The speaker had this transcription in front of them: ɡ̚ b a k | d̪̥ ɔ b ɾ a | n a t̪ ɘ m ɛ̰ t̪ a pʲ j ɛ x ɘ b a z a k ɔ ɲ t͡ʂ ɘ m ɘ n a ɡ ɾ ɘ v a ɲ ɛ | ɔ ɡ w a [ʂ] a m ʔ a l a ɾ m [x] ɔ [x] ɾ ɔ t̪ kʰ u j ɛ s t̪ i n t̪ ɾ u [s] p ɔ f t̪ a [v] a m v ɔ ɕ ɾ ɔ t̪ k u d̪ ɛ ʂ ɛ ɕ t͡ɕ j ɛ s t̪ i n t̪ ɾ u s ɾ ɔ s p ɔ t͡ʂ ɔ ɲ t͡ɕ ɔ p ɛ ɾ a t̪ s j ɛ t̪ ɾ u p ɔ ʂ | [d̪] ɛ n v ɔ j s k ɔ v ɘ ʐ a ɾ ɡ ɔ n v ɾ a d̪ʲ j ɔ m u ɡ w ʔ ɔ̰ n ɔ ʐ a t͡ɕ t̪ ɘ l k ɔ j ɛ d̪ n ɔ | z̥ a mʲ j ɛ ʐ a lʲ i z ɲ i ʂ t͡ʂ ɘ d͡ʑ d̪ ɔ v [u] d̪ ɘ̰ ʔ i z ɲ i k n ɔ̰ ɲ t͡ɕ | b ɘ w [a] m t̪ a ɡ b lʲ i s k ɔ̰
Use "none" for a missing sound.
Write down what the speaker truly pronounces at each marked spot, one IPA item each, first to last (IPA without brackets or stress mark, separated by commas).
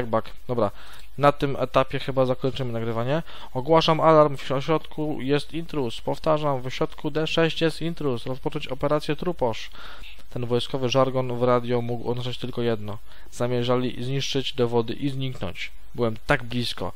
ʂ, f, ɕ, s, ʐ, t̪, ɔ, ɛ